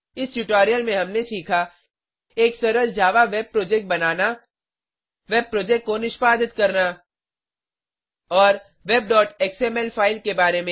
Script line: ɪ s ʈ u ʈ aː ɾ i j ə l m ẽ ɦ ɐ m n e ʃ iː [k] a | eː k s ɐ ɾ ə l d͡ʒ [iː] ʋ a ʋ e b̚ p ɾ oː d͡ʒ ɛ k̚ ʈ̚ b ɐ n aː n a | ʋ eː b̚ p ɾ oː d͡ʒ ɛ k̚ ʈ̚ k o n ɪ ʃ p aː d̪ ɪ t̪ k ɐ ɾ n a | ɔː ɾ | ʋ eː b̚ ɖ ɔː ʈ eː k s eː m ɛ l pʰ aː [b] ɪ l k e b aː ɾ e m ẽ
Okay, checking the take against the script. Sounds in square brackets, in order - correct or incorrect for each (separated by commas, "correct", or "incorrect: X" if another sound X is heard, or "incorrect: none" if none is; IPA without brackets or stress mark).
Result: incorrect: kʰ, incorrect: aː, incorrect: none